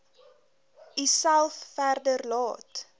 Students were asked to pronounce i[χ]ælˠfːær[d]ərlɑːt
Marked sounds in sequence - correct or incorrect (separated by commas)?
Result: incorrect, correct